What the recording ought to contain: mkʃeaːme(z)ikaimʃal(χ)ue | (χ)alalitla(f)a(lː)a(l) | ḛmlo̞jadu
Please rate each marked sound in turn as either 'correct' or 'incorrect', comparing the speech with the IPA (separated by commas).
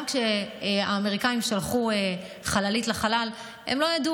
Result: incorrect, correct, correct, incorrect, incorrect, correct